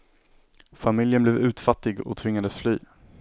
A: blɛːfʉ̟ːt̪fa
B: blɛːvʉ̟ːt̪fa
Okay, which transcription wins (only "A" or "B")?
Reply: B